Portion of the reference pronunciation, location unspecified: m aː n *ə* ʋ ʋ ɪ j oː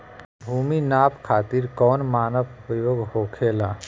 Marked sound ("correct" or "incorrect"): correct